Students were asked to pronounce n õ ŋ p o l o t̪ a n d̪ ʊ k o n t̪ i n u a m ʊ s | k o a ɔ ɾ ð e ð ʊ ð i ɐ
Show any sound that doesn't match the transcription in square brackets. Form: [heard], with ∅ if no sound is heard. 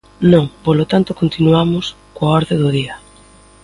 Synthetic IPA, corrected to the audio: n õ ŋ p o l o t̪ a n [t̪] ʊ k o n t̪ i n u a m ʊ s | k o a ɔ ɾ ð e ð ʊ ð i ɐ